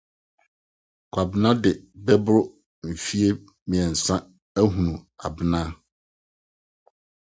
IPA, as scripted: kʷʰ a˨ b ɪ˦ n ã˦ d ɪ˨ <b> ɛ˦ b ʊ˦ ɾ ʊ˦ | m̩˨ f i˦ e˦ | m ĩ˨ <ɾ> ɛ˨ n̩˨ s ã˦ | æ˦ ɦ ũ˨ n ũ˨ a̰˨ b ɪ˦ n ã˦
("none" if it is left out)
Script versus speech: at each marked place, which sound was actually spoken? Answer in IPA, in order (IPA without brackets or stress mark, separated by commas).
b, none